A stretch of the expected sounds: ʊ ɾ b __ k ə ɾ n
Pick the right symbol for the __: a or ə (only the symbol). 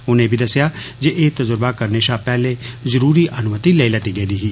a